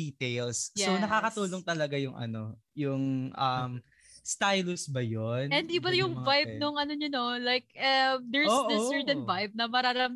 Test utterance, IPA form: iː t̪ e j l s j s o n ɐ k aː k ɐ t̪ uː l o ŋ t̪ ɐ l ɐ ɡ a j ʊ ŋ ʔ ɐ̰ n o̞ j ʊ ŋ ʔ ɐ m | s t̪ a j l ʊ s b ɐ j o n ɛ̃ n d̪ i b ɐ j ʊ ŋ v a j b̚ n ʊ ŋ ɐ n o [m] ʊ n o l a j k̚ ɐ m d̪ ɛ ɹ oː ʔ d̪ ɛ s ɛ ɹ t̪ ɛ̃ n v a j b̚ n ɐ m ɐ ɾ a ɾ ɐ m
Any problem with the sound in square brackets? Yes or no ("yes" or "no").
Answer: yes